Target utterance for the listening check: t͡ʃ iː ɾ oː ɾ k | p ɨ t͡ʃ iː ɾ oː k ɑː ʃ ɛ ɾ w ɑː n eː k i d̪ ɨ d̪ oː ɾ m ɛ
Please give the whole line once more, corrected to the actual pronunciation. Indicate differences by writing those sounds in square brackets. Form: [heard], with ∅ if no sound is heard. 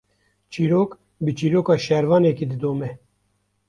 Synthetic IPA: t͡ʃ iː ɾ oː [∅] k | [b] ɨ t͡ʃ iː ɾ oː k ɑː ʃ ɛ ɾ [v] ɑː n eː k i d̪ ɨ d̪ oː [∅] m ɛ